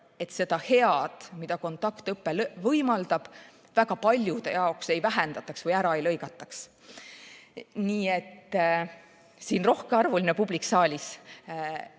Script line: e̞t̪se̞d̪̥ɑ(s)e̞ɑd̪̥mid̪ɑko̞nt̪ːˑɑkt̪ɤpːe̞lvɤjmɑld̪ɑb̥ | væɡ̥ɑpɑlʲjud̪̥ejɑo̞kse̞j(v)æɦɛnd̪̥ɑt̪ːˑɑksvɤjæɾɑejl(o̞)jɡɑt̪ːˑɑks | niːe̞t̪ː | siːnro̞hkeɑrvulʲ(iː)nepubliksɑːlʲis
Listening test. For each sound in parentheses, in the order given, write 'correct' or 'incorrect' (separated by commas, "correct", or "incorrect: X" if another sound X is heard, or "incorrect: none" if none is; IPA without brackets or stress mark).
incorrect: h, correct, incorrect: ɤ̞, incorrect: i